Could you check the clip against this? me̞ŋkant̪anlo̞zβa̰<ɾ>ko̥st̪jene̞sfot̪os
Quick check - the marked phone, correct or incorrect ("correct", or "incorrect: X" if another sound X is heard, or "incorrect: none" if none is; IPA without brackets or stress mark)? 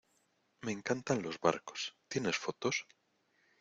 correct